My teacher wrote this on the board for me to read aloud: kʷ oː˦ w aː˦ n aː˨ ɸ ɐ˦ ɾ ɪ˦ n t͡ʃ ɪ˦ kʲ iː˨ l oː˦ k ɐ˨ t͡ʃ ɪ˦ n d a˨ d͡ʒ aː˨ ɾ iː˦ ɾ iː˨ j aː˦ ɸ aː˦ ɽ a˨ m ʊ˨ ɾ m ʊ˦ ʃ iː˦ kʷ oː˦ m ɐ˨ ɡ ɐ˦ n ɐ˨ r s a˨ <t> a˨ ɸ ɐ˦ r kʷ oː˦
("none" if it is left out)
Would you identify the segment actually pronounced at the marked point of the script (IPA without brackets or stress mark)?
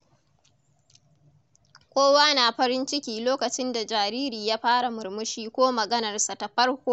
t